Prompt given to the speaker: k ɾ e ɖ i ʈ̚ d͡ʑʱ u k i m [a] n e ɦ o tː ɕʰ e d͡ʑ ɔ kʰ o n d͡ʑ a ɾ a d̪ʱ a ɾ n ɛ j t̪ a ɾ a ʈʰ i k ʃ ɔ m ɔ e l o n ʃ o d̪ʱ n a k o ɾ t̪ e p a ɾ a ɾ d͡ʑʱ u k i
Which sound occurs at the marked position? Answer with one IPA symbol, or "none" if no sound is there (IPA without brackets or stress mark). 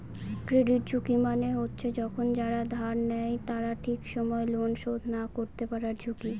a